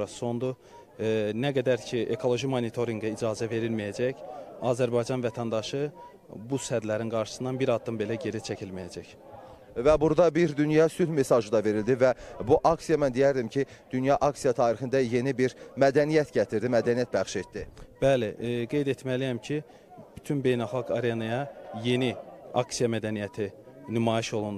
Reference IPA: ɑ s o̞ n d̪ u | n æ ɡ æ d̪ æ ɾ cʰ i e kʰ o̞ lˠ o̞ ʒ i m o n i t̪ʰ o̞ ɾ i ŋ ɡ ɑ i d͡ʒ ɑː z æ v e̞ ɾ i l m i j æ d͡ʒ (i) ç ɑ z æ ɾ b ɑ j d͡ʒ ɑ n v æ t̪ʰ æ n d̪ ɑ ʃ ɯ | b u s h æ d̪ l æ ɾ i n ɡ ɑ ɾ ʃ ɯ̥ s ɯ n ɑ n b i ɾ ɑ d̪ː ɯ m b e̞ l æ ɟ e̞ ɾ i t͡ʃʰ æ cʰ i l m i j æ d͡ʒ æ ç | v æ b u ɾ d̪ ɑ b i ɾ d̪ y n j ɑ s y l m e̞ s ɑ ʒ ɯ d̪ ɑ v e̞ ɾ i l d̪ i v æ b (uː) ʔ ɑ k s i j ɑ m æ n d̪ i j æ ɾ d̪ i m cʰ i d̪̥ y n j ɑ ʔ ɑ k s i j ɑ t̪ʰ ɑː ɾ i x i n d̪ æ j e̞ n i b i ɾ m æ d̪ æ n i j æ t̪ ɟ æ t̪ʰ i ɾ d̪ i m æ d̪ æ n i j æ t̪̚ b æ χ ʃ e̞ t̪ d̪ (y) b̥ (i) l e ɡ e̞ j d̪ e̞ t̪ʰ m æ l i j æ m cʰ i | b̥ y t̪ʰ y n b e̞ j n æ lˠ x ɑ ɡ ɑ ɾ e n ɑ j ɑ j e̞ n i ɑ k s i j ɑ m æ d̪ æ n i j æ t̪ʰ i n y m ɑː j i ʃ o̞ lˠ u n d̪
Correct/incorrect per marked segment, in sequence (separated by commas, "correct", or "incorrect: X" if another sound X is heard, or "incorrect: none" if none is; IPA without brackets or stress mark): incorrect: æ, incorrect: u, incorrect: i, incorrect: æ